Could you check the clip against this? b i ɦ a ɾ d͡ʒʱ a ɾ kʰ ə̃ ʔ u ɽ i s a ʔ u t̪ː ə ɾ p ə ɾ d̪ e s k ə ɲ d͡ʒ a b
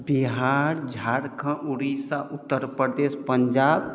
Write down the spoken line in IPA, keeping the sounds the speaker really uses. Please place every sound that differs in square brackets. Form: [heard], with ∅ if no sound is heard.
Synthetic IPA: b i ɦ a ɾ d͡ʒʱ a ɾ kʰ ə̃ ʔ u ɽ i s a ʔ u t̪ː ə ɾ p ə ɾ d̪ e s [p] ə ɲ d͡ʒ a b